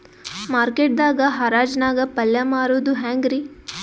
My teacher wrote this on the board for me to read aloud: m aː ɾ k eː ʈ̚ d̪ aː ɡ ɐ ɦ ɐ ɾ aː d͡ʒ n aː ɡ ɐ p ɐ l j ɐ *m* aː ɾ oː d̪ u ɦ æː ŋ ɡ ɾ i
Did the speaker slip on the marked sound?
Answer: no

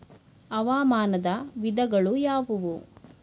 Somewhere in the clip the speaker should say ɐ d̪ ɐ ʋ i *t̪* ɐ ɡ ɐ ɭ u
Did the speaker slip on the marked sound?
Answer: yes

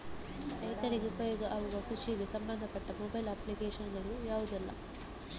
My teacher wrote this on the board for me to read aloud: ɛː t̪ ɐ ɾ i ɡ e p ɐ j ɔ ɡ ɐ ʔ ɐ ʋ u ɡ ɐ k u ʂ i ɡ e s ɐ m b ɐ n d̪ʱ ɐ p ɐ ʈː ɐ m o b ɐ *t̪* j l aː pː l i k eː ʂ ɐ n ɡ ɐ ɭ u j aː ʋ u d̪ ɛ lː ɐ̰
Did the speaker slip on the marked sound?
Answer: yes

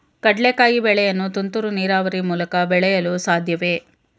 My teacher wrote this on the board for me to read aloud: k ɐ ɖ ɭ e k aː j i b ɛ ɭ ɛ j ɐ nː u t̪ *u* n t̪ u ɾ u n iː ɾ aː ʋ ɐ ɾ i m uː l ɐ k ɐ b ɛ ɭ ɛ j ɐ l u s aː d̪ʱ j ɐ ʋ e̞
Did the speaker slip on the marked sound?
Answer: no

